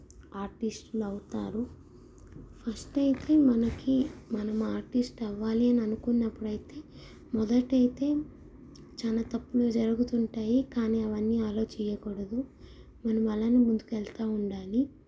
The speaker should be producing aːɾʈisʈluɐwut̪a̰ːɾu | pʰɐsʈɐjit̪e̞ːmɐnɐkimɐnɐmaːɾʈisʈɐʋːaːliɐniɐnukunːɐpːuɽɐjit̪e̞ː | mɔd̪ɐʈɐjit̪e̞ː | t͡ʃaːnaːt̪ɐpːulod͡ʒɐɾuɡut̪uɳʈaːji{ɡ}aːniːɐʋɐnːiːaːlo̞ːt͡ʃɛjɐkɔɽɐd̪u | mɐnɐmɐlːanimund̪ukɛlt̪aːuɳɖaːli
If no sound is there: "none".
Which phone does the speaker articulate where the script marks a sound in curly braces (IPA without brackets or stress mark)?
k